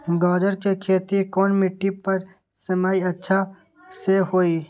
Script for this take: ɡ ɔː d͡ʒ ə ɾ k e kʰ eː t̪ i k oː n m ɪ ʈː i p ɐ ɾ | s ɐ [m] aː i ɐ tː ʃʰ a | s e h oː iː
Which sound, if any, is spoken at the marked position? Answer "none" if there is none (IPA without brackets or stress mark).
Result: m